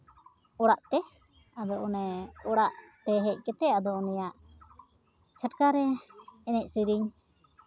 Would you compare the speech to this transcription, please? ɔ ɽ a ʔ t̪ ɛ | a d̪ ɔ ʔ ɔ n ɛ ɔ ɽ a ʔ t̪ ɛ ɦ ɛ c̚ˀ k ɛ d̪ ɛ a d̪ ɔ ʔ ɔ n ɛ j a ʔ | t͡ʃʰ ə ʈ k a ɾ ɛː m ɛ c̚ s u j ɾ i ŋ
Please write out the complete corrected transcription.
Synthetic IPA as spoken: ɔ ɽ a ʔ t̪ ɛ | a d̪ ɔ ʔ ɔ n ɛ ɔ ɽ a ʔ t̪ ɛ ɦ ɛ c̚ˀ k ɛ t̪ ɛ a d̪ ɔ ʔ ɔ n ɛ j a ʔ | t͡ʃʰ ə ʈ k a ɾ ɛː n ɛ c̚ s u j ɾ i ɲ